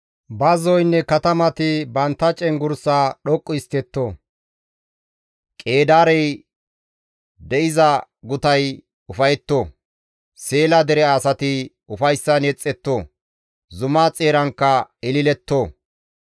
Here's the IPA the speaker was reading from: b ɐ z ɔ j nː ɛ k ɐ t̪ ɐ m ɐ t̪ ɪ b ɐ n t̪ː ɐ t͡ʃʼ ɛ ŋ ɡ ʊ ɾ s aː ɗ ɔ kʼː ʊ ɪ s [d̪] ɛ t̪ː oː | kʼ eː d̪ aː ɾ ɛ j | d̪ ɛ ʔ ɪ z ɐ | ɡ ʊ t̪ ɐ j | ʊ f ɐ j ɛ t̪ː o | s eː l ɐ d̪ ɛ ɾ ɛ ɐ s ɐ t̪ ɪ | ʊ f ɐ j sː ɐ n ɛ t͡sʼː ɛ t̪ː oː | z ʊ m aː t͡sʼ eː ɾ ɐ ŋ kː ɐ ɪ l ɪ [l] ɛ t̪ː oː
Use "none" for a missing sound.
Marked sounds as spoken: t̪, l

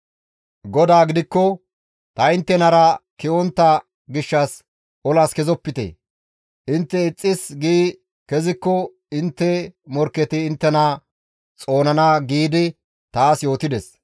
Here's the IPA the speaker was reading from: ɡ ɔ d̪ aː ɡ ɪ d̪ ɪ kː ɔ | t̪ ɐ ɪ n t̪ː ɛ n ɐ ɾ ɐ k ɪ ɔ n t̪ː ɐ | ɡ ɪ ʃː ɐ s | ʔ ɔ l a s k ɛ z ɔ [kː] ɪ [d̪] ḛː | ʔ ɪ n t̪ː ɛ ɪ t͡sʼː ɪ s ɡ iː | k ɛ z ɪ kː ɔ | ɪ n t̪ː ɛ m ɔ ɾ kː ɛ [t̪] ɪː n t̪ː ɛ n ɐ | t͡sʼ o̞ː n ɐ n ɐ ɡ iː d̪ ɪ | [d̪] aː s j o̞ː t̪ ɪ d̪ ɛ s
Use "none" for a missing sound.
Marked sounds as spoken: pː, t̪, t̪, t̪

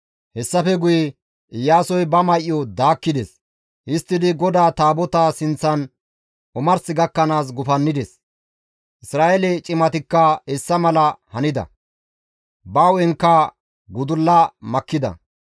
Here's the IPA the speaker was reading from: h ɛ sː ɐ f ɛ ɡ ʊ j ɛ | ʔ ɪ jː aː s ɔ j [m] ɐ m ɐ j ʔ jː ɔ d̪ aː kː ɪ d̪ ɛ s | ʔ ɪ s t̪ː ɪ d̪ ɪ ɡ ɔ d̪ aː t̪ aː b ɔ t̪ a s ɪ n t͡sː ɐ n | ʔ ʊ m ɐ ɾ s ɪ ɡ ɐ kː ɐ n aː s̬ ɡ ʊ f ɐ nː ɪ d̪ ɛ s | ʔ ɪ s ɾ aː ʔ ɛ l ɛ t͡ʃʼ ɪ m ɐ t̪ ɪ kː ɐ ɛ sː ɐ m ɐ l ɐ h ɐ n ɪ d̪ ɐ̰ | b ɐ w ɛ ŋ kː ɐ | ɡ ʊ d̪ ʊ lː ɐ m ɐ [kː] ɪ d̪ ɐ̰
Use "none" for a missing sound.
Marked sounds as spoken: b, kː

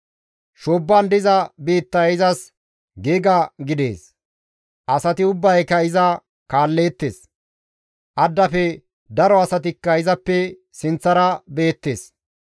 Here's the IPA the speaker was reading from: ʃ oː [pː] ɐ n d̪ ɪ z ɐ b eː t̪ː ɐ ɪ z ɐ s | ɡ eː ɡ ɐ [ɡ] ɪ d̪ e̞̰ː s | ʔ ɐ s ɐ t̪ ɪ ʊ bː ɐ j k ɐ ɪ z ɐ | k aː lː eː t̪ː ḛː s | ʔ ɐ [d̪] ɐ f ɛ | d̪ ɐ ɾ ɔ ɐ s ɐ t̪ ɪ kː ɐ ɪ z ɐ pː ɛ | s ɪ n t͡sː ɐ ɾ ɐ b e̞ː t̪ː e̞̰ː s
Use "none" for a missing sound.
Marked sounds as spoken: bː, ɡ, d̪ː

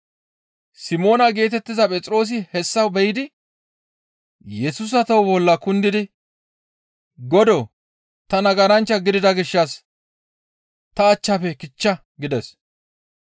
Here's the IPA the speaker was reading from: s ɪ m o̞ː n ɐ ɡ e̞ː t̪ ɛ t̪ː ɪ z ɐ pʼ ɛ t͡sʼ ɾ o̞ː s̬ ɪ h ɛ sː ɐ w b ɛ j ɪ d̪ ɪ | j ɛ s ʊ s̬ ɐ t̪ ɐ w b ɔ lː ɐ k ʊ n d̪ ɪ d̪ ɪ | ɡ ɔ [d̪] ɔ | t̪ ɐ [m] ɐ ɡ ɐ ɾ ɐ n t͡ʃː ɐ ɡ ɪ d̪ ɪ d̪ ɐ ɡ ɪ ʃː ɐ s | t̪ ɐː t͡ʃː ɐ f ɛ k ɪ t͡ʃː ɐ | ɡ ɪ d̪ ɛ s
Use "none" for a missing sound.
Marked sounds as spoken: d̪, n

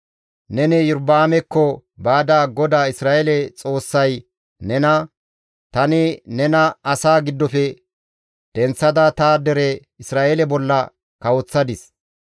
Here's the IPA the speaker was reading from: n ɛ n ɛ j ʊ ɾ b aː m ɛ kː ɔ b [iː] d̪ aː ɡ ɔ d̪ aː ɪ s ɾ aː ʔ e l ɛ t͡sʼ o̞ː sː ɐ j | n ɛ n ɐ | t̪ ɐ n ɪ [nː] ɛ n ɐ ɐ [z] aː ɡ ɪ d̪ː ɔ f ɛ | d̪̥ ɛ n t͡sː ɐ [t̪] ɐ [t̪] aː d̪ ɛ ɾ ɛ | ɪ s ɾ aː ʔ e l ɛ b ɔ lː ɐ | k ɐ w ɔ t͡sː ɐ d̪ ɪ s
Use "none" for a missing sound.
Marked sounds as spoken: aː, n, s, d̪, t̪

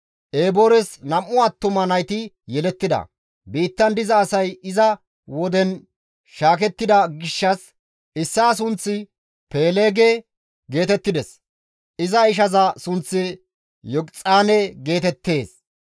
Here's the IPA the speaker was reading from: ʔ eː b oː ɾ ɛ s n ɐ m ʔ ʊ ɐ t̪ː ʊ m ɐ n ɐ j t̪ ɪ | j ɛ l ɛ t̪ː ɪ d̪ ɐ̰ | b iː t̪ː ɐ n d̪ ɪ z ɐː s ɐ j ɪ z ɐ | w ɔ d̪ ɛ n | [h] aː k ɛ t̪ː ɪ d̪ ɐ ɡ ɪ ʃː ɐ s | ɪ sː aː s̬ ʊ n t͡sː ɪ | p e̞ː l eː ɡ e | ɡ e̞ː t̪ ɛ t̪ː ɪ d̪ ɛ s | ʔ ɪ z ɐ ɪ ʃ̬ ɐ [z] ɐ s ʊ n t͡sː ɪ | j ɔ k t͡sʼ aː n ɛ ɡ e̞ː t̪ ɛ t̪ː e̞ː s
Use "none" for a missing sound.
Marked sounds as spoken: ʃ, z

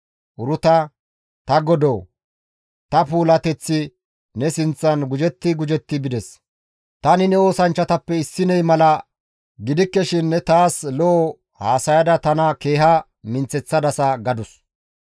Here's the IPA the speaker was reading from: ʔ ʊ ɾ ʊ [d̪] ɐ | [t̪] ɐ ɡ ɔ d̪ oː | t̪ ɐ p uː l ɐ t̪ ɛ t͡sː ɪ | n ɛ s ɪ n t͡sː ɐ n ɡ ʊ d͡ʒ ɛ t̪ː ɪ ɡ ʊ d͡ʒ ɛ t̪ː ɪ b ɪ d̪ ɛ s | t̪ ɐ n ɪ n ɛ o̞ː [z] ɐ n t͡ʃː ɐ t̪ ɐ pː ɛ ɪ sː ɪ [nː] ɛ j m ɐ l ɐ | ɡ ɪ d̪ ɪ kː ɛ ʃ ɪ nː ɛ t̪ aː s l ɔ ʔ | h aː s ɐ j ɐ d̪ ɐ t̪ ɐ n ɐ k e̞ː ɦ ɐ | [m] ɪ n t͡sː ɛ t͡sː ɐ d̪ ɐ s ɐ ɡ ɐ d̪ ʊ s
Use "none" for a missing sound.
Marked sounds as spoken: t̪, t̪, s, n, m

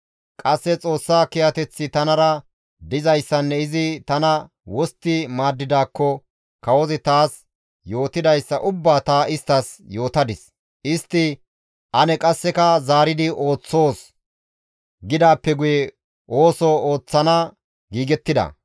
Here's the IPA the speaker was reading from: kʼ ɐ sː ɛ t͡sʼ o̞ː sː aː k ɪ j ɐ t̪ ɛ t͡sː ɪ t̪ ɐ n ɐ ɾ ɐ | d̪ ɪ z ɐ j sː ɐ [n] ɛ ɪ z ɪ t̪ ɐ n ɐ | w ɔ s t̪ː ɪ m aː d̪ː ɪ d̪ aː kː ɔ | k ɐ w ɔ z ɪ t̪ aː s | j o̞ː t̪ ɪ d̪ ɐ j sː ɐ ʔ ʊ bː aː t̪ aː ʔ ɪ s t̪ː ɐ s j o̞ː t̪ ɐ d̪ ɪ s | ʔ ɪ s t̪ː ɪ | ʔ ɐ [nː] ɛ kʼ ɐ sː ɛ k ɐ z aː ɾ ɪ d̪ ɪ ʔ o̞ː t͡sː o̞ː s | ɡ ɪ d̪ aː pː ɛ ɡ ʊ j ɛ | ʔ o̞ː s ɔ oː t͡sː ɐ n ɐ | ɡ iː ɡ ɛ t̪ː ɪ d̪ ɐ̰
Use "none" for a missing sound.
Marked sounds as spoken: nː, n

